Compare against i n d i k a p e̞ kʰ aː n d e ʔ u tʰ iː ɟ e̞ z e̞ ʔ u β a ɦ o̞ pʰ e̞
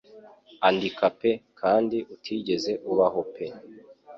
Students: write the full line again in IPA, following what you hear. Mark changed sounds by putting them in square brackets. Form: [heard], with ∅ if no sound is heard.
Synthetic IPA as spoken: [a] n d i k a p e̞ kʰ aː n d [i] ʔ u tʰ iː ɟ e̞ z e̞ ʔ u β a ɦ o̞ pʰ e̞